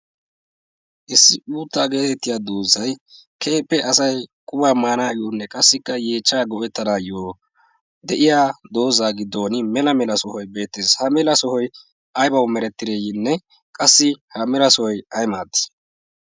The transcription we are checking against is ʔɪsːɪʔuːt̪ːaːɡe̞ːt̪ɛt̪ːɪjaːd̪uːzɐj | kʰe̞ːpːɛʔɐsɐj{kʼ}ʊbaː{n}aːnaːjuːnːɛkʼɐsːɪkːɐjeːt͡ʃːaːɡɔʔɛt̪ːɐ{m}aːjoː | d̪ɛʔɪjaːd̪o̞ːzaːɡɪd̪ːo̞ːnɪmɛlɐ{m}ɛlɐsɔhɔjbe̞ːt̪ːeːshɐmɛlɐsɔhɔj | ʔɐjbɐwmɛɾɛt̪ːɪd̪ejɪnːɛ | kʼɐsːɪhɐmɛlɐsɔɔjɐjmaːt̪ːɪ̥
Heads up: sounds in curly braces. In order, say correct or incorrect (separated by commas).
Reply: correct, incorrect, incorrect, correct